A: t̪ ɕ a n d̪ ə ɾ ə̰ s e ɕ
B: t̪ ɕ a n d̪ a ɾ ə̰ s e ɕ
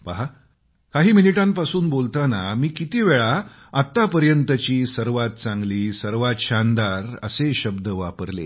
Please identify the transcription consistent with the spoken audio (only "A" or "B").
B